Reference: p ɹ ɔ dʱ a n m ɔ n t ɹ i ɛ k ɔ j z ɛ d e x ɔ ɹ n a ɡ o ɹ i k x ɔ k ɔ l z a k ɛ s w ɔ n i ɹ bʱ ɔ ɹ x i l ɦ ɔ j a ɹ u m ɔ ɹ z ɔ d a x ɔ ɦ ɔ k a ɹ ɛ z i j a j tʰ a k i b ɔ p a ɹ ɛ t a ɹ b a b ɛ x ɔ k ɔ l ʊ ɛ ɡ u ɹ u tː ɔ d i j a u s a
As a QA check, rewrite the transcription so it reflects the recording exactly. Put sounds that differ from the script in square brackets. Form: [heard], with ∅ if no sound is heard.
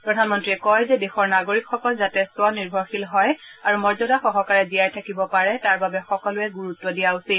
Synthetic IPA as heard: p ɹ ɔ dʱ a n m ɔ n t ɹ i ɛ k ɔ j z ɛ d e x ɔ ɹ n a ɡ o ɹ i k x ɔ k ɔ l z a [t] ɛ s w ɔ n i ɹ bʱ ɔ ɹ x i l ɦ ɔ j a ɹ u m ɔ ɹ z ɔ d a x ɔ ɦ ɔ k a ɹ ɛ z i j a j tʰ a k i b ɔ p a ɹ ɛ t a ɹ b a b ɛ x ɔ k ɔ l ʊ ɛ ɡ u ɹ u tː ɔ d i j a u s [i]